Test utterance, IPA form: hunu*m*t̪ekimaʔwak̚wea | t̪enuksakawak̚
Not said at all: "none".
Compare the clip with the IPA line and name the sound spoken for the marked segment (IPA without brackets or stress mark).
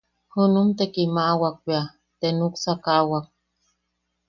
m